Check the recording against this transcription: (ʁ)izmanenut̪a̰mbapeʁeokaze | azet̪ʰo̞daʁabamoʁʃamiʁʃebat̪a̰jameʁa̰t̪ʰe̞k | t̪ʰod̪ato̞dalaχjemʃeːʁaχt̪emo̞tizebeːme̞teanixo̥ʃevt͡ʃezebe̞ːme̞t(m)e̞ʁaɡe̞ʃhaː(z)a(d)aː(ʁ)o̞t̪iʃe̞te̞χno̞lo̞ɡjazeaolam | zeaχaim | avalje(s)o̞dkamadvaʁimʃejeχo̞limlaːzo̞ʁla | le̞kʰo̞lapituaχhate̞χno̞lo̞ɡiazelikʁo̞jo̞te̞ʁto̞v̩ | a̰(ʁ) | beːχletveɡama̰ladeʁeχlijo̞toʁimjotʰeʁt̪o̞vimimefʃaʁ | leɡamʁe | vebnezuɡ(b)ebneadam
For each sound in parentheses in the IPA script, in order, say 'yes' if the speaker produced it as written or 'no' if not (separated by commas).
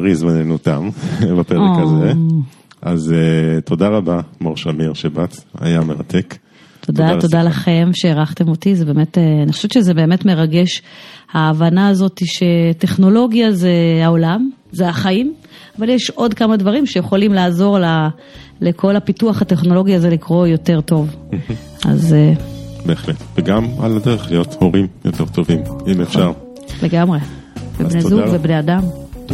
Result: yes, yes, no, no, no, no, no, no